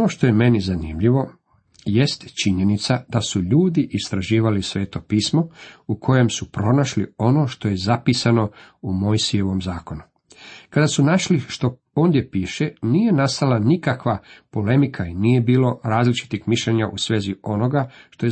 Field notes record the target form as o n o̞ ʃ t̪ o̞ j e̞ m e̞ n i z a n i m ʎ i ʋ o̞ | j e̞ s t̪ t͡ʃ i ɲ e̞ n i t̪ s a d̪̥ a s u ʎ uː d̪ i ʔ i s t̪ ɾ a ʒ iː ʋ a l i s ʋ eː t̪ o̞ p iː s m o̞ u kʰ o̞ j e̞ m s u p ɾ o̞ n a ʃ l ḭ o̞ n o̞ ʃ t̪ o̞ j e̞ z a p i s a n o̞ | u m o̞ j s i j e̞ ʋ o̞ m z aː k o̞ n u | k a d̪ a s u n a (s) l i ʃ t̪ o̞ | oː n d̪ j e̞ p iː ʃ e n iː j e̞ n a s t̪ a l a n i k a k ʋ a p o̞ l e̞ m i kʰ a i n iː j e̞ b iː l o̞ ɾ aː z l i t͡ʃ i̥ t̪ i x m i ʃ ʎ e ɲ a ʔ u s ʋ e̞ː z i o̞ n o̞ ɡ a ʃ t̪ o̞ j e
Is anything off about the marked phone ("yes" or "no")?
yes